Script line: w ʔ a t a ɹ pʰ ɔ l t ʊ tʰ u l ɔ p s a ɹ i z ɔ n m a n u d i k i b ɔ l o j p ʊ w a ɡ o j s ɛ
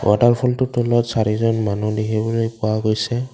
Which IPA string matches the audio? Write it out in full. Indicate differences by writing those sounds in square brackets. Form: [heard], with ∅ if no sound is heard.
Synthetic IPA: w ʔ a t a ɹ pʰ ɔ l t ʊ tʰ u l ɔ [t] s a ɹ i z ɔ n m a n u d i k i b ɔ l o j p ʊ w a ɡ o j s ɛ